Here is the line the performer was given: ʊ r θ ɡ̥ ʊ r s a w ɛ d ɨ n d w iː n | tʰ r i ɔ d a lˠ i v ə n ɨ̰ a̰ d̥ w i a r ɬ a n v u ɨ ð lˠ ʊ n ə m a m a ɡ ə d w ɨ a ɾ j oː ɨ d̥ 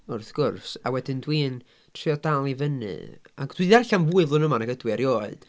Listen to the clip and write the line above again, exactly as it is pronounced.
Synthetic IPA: ʊ r θ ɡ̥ ʊ r s a w ɛ d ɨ n d w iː n | tʰ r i ɔ d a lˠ i v ə n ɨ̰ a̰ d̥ w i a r ɬ a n v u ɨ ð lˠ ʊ n ə m a n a ɡ ə d w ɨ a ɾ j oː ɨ d̥